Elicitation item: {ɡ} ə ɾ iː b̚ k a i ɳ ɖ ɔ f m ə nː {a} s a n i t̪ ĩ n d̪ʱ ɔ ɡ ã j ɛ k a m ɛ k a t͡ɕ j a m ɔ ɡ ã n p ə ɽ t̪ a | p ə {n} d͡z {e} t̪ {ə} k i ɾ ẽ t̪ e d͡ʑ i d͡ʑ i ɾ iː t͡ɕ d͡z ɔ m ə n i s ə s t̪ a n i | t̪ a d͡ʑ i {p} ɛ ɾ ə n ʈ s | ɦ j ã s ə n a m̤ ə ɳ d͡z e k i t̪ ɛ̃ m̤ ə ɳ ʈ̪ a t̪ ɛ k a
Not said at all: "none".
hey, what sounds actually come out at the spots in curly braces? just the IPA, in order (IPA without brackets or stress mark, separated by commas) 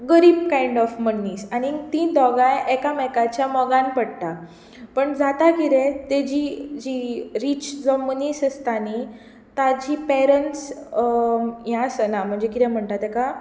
ɡ, i, ɳ, a, a, p